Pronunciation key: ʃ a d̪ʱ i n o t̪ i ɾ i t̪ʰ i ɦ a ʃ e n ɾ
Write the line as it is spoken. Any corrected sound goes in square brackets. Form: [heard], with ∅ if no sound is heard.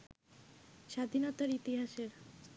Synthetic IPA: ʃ a d̪ʱ i n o t̪ [a] ɾ i [t̪] i ɦ a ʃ e [∅] ɾ